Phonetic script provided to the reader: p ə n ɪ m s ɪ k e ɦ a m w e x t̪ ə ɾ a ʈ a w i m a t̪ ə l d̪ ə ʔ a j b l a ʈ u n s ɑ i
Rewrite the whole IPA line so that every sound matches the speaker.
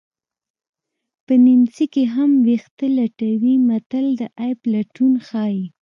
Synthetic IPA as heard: p ə n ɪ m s i k e ɦ a m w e x t̪ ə l a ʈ a w i m a t̪ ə l d̪ ə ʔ a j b l a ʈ u n x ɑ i